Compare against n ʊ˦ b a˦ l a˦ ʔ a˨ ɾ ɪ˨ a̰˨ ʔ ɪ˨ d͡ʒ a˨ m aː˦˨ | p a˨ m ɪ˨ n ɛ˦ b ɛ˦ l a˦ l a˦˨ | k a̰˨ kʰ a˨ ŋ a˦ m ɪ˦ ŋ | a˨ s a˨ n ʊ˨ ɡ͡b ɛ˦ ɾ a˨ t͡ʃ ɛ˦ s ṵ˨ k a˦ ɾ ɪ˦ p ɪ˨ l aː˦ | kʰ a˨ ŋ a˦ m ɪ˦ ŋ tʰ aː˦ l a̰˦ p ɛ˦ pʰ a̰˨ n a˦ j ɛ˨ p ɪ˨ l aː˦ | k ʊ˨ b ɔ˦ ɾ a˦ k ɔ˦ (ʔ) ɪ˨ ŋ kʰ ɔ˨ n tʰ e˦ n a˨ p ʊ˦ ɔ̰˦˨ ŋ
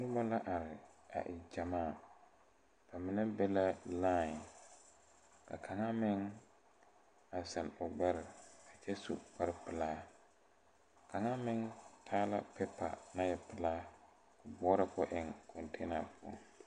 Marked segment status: correct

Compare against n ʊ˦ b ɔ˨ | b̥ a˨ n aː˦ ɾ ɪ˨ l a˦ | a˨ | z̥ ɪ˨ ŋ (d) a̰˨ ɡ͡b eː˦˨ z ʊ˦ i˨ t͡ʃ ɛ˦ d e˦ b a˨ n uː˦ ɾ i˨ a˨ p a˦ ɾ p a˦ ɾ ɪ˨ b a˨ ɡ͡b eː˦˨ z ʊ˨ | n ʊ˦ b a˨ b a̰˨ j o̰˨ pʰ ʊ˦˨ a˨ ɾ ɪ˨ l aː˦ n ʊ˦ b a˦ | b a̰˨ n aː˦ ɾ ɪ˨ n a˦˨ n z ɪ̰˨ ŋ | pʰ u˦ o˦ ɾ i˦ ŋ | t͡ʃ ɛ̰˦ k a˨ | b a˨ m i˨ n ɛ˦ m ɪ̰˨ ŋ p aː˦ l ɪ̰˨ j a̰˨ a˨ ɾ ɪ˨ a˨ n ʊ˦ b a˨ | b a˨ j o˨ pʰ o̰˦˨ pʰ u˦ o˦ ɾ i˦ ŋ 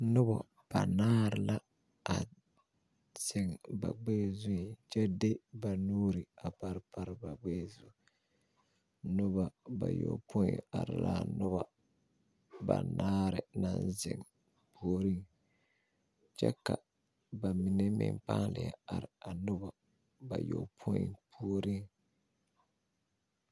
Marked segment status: incorrect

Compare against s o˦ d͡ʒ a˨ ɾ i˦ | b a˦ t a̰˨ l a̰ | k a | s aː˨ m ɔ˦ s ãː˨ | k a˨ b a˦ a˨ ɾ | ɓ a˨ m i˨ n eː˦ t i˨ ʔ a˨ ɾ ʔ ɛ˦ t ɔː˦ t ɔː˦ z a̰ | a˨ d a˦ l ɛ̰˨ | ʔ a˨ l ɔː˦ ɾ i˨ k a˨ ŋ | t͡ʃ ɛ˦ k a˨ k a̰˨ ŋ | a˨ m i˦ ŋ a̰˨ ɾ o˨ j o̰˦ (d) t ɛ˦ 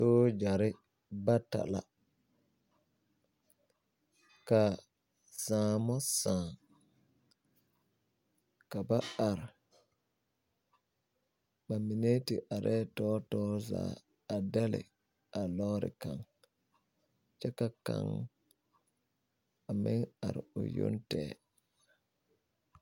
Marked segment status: incorrect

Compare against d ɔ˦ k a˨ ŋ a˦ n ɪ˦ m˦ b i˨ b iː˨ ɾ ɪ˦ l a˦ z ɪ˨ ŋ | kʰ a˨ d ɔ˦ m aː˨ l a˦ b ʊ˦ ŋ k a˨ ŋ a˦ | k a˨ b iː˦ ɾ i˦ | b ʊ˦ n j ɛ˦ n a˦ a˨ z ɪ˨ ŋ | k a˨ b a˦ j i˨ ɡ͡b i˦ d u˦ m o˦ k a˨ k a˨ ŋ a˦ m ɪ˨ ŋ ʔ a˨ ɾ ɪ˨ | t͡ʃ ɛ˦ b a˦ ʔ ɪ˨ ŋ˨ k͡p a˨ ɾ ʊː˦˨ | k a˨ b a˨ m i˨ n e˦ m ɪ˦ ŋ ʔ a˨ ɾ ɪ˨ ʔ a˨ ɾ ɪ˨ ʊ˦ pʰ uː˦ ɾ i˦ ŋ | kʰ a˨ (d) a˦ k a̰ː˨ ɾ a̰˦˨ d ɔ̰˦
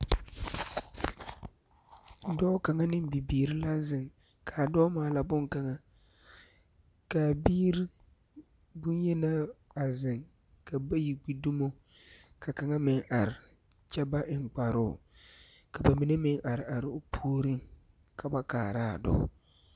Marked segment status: incorrect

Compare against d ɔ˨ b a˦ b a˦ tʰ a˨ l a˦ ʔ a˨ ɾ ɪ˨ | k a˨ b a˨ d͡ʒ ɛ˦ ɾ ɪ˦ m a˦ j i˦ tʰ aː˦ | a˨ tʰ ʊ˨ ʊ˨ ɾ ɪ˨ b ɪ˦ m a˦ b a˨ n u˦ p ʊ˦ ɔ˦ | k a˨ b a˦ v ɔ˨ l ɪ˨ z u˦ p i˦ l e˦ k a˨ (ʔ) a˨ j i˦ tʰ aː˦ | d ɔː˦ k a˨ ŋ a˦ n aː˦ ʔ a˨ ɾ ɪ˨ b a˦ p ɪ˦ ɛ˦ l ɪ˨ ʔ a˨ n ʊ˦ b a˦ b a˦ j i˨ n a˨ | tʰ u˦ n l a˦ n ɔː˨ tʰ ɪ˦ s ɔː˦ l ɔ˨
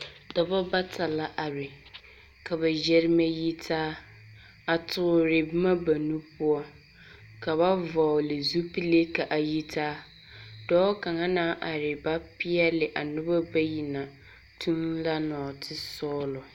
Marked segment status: correct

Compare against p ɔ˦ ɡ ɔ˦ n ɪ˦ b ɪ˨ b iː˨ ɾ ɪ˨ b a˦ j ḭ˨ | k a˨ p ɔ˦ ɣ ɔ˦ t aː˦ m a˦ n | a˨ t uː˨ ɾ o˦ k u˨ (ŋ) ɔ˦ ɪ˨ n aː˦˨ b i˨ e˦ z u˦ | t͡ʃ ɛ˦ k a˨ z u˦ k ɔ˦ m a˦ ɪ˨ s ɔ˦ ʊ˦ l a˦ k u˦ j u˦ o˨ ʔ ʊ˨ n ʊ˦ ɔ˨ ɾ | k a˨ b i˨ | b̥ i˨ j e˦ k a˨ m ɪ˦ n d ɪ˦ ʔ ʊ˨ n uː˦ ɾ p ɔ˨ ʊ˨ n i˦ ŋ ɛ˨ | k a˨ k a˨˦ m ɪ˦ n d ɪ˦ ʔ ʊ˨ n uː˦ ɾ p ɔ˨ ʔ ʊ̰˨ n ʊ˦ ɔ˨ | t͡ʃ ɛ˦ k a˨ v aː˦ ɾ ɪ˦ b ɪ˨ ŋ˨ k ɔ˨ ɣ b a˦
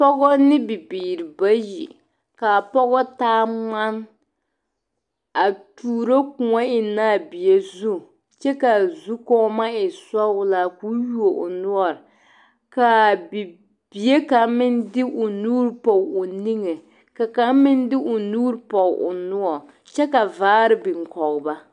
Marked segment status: correct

